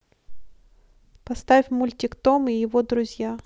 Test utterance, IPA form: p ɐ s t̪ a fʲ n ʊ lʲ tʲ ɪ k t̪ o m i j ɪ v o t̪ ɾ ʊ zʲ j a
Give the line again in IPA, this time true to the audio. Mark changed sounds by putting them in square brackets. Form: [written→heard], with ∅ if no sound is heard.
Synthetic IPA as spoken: p ɐ s t̪ a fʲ [n→m] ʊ lʲ tʲ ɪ k t̪ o m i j ɪ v o [t̪→d̪] ɾ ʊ zʲ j a